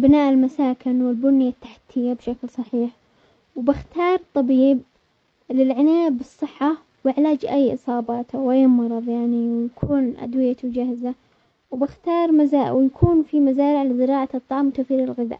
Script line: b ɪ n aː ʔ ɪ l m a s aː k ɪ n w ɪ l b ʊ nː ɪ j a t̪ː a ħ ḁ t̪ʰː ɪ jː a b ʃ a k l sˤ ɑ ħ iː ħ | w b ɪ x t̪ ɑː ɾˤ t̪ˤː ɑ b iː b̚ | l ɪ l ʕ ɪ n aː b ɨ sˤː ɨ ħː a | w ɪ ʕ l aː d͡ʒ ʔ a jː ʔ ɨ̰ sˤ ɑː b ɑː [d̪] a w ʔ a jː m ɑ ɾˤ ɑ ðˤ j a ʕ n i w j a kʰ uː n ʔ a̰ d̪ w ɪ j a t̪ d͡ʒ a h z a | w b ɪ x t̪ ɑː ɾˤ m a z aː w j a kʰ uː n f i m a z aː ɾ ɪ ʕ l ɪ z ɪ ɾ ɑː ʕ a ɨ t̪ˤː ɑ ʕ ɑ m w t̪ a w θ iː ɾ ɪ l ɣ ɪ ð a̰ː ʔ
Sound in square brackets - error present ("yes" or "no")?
yes